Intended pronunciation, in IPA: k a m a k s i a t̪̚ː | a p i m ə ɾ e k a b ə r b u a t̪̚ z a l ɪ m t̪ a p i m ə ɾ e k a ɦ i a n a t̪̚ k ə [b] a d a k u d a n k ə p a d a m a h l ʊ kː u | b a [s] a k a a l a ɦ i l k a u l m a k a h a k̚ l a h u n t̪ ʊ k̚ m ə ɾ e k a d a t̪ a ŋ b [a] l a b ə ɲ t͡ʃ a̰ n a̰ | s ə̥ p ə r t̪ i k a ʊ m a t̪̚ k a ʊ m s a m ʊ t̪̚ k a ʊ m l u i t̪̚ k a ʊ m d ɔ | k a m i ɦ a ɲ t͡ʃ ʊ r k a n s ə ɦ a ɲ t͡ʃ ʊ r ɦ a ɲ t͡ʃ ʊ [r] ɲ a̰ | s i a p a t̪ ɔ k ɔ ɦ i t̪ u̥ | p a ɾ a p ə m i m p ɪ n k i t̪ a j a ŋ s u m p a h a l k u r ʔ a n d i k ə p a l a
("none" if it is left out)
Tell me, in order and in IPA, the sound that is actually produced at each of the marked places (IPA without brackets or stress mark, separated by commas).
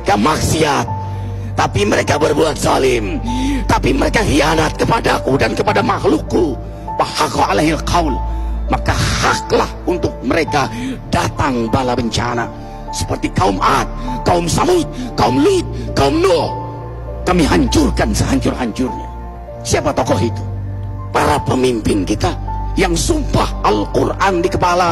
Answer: p, h, a, r